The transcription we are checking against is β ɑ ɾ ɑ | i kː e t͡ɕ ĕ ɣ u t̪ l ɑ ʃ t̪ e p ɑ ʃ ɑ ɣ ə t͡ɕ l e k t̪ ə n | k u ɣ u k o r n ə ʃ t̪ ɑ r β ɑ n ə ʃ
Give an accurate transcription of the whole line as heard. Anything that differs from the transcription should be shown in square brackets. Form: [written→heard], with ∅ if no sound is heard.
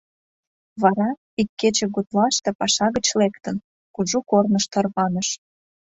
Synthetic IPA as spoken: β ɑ ɾ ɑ | i kː e t͡ɕ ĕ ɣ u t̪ l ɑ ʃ t̪ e p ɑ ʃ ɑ ɣ ə t͡ɕ l e k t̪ ə n | k u [ɣ→ʒ] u k o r n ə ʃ t̪ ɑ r β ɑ n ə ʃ